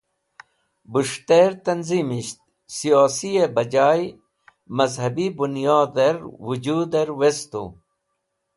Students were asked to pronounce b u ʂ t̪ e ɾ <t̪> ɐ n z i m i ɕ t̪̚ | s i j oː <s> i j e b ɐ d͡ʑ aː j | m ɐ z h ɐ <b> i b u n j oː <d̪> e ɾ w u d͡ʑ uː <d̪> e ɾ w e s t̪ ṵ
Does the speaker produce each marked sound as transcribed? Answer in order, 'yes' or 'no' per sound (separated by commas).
yes, yes, yes, yes, yes